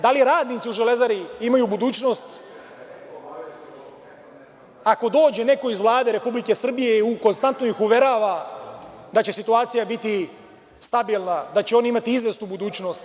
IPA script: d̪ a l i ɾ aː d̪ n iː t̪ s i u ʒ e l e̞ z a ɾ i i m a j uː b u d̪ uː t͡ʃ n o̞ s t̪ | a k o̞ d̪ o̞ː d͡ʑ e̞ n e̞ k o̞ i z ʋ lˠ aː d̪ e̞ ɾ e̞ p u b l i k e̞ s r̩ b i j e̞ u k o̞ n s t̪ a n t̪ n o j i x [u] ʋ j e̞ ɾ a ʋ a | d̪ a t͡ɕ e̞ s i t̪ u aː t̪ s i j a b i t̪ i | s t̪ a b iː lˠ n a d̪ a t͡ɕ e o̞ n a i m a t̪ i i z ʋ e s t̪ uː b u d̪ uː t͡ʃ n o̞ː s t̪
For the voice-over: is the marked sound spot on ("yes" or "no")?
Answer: yes